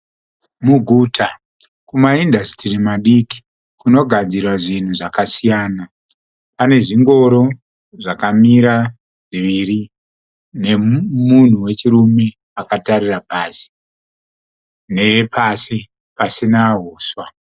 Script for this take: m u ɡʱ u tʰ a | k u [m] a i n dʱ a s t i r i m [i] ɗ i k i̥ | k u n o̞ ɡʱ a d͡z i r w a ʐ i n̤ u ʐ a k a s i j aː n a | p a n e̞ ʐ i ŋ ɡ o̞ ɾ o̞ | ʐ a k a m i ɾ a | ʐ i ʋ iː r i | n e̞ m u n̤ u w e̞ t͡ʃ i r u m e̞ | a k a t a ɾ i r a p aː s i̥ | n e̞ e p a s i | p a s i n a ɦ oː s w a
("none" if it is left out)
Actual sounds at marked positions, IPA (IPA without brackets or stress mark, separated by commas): m, a